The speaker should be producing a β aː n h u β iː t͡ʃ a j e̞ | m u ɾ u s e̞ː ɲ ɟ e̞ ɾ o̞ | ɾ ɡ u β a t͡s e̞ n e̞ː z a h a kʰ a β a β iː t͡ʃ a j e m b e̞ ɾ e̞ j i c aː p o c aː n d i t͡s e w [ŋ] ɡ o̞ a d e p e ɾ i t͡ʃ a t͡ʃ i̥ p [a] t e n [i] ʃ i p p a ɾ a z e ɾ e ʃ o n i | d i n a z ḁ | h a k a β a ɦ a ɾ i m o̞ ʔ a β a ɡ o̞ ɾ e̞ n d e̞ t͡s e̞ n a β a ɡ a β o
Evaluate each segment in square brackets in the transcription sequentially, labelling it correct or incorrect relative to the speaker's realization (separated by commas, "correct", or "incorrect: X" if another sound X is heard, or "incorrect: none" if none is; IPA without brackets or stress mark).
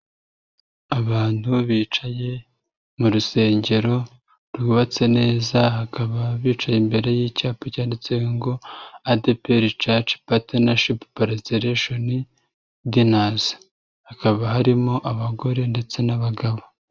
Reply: correct, correct, incorrect: a